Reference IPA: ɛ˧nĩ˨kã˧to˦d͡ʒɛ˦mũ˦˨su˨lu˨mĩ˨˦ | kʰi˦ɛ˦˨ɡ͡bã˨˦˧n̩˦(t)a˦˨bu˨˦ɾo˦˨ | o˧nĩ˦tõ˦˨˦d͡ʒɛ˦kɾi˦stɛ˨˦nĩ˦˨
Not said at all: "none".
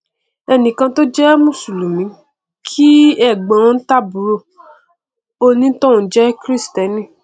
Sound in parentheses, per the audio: t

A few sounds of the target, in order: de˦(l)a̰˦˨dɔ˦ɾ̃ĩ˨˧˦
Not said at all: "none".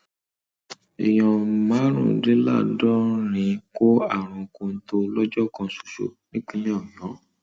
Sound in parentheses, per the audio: l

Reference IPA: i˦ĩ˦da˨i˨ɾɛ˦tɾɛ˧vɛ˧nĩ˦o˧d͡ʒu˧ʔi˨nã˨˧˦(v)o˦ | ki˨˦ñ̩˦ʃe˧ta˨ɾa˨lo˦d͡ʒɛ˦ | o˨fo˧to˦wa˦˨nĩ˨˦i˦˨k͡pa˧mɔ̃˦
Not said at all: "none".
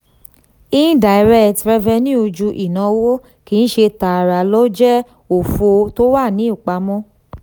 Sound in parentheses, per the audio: w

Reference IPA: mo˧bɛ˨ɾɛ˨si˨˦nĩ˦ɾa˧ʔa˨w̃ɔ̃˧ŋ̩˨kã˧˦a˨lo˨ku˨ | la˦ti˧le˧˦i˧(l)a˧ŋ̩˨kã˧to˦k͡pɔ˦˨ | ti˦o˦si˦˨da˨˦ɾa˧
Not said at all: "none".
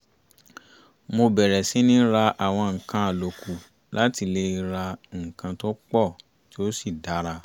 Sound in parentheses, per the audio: ɾ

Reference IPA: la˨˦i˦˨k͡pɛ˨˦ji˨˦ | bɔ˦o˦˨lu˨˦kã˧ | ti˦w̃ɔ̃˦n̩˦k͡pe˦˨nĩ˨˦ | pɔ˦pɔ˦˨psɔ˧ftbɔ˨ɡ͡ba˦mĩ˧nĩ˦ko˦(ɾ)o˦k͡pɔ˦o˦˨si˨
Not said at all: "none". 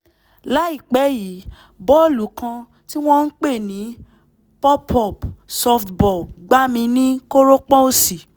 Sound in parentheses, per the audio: ɾ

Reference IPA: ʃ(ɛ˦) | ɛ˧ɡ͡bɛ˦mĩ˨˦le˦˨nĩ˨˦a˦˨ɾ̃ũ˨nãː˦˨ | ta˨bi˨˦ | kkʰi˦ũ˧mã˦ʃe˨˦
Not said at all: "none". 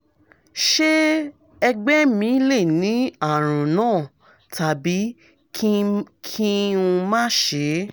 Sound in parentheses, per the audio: e˦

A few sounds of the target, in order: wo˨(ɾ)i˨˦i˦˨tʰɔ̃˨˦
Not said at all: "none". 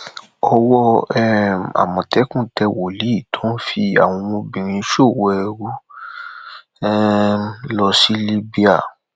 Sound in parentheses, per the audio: l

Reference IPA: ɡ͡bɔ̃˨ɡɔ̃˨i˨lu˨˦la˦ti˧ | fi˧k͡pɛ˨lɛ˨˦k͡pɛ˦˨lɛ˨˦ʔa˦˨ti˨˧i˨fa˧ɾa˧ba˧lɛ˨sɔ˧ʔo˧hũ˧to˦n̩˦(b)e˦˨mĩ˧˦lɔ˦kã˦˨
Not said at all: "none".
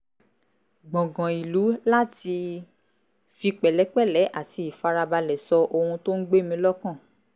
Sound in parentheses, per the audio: ɡ͡b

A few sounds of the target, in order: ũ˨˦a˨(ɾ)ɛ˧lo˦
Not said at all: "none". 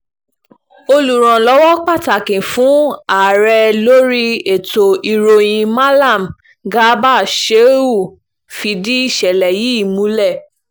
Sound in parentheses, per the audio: ɾ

